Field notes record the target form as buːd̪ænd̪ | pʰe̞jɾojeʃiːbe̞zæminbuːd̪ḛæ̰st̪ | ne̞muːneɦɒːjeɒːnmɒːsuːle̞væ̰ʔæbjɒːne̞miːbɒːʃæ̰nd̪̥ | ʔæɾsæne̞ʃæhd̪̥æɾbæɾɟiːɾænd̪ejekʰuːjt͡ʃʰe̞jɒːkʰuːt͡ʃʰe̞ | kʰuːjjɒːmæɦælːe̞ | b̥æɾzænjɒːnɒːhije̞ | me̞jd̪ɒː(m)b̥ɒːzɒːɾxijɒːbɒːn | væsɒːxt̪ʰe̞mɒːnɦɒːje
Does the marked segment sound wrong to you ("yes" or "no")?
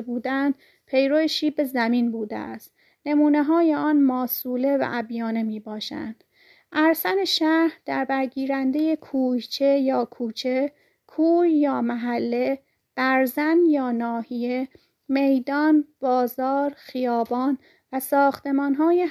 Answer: yes